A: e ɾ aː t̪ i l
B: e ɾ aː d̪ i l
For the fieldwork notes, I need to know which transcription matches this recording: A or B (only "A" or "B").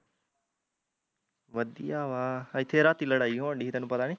A